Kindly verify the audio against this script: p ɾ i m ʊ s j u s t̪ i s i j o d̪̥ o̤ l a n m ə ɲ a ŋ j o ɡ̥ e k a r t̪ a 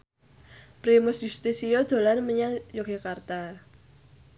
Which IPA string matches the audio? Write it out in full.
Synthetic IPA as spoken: p ɾ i m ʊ s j u s t̪ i s i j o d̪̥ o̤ l a n m ə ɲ a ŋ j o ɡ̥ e k a r t̪ a